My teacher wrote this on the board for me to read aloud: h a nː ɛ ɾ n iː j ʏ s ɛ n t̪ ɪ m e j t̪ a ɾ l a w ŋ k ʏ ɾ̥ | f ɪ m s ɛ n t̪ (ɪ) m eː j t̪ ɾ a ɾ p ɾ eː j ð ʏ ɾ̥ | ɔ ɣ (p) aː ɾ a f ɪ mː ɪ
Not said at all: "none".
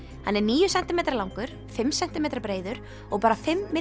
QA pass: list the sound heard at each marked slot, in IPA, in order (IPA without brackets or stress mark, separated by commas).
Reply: ɪ, p